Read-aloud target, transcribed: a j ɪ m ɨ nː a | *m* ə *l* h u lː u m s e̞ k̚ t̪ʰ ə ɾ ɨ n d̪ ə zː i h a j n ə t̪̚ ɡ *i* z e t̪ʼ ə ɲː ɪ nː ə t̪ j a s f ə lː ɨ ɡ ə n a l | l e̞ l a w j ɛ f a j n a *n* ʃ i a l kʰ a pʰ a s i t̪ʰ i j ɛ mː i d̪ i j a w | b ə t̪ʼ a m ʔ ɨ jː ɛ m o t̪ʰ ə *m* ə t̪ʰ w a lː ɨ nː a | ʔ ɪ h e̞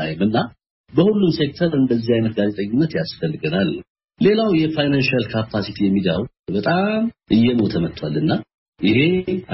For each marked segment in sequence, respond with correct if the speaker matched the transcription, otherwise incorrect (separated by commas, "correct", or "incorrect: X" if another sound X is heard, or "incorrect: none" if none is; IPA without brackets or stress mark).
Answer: incorrect: b, incorrect: none, incorrect: a, correct, correct